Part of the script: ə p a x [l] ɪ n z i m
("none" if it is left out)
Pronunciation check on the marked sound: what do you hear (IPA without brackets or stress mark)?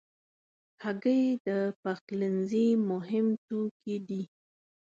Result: l